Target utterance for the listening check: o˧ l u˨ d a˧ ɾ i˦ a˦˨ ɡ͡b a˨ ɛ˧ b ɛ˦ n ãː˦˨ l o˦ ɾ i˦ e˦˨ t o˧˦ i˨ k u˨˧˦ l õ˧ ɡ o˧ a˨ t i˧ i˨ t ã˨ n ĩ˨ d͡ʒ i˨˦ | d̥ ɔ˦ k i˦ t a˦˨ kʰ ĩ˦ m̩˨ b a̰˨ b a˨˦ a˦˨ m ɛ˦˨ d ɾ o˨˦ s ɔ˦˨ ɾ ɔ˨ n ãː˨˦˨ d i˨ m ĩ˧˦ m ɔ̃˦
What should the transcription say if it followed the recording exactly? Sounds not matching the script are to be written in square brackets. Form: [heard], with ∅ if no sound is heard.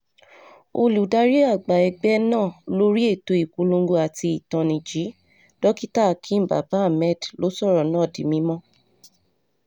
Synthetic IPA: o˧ l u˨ d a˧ ɾ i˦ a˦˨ ɡ͡b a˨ ɛ˧ [ɡ͡b] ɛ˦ n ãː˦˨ l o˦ ɾ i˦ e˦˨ t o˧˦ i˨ k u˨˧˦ l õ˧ ɡ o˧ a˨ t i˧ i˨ t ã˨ n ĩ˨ d͡ʒ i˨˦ | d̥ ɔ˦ k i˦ t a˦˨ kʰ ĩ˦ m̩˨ b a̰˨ b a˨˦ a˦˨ m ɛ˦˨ d [l] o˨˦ s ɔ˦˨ ɾ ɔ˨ n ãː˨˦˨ d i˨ m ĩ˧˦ m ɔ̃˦